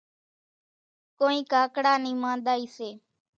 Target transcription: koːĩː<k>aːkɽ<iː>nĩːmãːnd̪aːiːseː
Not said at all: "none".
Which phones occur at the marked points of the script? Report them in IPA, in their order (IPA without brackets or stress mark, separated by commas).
k, aː